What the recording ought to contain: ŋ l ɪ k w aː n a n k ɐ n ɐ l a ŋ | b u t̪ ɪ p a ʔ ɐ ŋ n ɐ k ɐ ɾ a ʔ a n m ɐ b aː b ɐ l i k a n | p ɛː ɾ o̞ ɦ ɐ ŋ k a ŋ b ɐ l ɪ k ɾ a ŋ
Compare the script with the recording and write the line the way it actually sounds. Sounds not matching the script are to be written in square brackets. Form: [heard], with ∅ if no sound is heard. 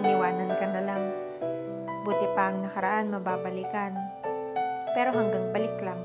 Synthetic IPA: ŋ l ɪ [∅] w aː n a n k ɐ n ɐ l a ŋ | b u t̪ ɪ p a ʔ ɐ ŋ n ɐ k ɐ ɾ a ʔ a n m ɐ b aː b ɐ l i k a n | p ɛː ɾ o̞ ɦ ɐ ŋ [ɡ] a ŋ b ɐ l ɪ k [l] a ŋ